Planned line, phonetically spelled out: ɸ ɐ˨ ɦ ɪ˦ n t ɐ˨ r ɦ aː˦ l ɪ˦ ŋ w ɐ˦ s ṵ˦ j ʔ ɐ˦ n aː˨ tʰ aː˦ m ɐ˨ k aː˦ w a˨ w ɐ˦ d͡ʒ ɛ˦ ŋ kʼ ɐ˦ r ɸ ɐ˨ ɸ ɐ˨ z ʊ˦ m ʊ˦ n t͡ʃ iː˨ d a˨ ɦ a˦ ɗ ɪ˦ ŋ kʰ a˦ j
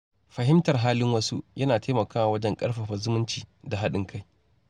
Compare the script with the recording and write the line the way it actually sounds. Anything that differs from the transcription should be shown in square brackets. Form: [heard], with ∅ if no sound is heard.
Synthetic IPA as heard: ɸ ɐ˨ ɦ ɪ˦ [m] t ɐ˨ r ɦ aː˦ l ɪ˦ ŋ w ɐ˦ s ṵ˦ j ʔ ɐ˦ n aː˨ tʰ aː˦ m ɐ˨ k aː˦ w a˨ w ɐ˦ d͡ʒ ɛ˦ ŋ kʼ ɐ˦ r ɸ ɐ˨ ɸ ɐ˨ z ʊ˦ m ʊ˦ n t͡ʃ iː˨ d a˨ ɦ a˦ ɗ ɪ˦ ŋ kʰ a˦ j